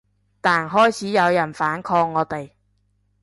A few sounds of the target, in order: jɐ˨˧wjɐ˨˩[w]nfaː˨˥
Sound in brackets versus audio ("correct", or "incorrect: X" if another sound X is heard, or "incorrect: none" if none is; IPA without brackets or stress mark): incorrect: none